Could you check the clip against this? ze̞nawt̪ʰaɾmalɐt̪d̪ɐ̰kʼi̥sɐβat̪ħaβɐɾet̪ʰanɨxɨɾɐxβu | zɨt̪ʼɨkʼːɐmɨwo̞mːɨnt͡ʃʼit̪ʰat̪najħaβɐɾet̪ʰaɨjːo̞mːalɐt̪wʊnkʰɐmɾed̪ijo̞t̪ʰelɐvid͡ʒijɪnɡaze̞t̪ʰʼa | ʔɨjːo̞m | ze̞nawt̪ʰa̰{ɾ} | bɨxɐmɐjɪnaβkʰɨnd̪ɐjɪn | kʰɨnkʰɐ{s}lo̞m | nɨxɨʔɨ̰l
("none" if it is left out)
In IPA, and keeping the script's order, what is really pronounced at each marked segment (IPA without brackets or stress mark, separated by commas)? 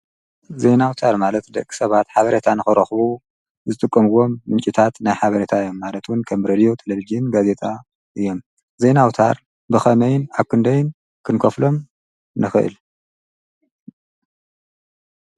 ɾ, f